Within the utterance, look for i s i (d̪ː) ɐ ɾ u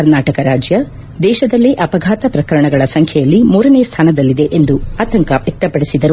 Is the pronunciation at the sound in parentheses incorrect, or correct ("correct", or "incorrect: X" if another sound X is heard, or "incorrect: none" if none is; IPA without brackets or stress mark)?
incorrect: d̪